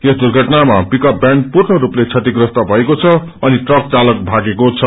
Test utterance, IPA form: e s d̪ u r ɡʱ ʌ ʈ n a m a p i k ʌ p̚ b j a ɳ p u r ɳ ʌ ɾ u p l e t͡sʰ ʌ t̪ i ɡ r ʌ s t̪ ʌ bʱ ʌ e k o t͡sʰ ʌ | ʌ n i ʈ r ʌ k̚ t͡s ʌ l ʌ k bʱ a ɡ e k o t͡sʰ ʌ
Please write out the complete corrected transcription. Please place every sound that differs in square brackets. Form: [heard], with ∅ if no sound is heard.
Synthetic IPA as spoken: e s d̪ u r ɡʱ ʌ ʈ n a m a p i k ʌ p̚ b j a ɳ p u r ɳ ʌ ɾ u p l e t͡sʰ ʌ t̪ i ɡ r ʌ s t̪ ʌ bʱ ʌ e k o t͡sʰ ʌ | ʌ n i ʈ r ʌ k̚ t͡s [a] l ʌ k bʱ a ɡ e k o t͡sʰ ʌ